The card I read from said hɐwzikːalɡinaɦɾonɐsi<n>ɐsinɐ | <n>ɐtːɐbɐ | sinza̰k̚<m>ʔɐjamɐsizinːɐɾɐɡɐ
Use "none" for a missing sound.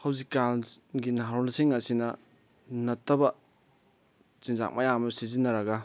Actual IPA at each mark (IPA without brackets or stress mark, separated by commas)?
ŋ, n, m